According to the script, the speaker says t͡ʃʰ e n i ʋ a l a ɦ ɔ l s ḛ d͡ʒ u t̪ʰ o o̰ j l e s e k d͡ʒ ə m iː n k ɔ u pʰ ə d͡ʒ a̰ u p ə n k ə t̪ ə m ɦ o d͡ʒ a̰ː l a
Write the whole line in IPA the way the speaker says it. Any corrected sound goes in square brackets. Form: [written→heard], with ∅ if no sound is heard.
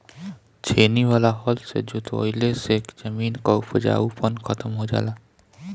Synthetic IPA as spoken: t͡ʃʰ e n i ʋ a l a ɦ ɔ l s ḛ d͡ʒ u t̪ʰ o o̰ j l e s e k d͡ʒ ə m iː n k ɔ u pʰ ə d͡ʒ a̰ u p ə n [k→kʰ] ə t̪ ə m ɦ o d͡ʒ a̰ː l a